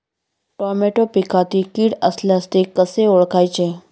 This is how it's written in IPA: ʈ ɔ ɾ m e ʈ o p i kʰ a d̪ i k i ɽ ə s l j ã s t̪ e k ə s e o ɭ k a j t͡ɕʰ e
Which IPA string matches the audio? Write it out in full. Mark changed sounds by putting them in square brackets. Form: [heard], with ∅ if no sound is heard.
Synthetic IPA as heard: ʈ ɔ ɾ m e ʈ o p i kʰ a [t̪] i k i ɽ ə s l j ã s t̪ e k ə s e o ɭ k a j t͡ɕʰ e